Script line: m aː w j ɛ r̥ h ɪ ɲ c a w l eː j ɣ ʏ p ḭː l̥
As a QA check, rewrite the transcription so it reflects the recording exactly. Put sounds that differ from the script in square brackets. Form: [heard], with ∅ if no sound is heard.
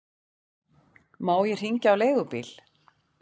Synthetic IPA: m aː w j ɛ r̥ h [i] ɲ c a w l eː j ɣ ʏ p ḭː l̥